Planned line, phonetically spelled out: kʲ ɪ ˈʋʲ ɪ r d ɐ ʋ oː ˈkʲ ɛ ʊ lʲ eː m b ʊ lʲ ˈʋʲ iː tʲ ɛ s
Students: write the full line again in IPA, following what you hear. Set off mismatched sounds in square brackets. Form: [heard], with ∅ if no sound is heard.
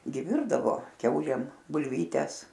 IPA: [ɡʲ] ɪ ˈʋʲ ɪ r d ɐ ʋ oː ˈkʲ ɛ ʊ lʲ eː m b ʊ lʲ ˈʋʲ iː tʲ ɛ s

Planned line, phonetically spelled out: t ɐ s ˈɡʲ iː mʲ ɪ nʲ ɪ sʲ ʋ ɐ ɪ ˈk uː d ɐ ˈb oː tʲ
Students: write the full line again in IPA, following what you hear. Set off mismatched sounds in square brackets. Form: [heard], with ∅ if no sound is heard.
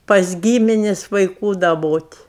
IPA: [p] ɐ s ˈɡʲ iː mʲ ɪ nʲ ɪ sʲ ʋ ɐ ɪ ˈk uː d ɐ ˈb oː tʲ

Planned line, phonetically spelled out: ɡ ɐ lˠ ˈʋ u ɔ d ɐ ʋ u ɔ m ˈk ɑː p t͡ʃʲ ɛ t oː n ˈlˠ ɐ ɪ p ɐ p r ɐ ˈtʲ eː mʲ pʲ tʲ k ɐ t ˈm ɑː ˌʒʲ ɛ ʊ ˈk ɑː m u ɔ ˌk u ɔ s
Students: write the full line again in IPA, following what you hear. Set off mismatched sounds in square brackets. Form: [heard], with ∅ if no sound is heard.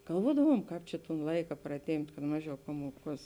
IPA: ɡ ɐ lˠ ˈʋ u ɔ d ɐ ʋ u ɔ m ˈk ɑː p t͡ʃʲ ɛ t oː n ˈlˠ ɐ ɪ [k] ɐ p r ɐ ˈtʲ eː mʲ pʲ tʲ k ɐ t ˈm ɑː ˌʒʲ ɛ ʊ [ˈp] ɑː m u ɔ ˌk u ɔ s

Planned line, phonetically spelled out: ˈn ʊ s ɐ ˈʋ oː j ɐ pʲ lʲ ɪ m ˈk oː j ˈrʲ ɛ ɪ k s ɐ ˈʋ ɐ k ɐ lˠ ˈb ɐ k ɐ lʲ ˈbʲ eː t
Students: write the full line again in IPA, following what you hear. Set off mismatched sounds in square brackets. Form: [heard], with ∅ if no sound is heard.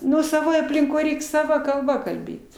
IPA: ˈn ʊ s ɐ ˈʋ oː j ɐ pʲ lʲ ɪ [ŋ] ˈk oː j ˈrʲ ɛ ɪ k s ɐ ˈʋ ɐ k ɐ lˠ ˈb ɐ k ɐ lʲ ˈbʲ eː t

